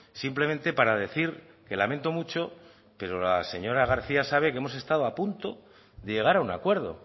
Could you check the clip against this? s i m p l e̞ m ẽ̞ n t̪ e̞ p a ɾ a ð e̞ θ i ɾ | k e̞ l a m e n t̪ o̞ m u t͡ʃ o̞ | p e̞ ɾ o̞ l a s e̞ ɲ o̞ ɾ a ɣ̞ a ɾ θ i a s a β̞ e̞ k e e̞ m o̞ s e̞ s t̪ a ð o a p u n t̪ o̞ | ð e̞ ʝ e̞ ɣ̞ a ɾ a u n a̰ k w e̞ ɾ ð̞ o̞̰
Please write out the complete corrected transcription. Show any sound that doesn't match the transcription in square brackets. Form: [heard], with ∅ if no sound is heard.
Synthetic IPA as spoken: s i m p l e̞ m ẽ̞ n t̪ e̞ p a ɾ a ð e̞ θ i ɾ | k e̞ l a m e n t̪ o̞ m u t͡ʃ o̞ | p e̞ ɾ o̞ l a s e̞ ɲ o̞ ɾ a ɣ̞ a ɾ θ i a s a β̞ e̞ k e e̞ m o̞ s e̞ s t̪ a ð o a p u n t̪ o̞ | ð e̞ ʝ e̞ ɣ̞ a ɾ a u n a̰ k w e̞ ɾ ð̞ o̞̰